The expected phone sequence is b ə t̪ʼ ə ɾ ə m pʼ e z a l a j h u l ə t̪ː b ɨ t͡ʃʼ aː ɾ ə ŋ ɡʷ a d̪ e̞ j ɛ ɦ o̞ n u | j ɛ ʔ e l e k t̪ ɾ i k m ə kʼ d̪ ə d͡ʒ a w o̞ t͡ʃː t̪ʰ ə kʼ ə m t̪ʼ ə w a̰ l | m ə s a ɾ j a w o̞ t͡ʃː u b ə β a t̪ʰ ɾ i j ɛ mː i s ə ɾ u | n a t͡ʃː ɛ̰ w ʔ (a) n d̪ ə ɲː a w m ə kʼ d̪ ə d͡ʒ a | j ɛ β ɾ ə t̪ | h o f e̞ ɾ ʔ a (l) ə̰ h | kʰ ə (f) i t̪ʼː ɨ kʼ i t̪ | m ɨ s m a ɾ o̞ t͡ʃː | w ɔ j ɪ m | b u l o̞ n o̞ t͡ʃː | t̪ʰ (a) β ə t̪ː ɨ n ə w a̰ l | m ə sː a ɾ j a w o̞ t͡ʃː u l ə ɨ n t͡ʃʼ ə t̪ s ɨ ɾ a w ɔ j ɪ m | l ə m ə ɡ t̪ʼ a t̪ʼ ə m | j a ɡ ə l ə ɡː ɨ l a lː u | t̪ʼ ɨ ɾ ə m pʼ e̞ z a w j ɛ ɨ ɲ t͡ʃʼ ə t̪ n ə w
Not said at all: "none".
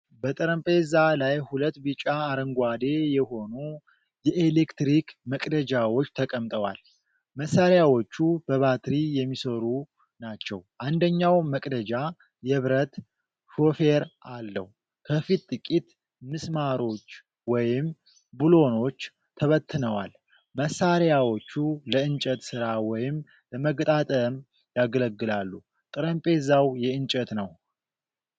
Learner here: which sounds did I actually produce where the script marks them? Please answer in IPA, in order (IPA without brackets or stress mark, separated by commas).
a, lː, f, ə